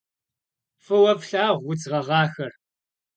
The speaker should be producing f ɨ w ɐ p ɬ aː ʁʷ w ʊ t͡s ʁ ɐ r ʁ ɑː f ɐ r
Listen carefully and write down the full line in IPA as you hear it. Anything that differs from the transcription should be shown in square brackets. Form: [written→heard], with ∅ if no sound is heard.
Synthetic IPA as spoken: f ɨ w ɐ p ɬ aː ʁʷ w ʊ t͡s ʁ ɐ [r→∅] ʁ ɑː [f→x] ɐ r